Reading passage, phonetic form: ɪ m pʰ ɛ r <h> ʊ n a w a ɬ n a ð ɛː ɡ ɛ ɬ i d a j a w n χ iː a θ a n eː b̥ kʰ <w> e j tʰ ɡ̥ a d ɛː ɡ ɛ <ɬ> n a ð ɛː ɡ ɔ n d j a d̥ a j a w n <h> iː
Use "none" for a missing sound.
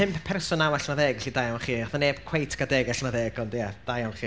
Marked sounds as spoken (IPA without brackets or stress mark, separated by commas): s, w, ɬ, χ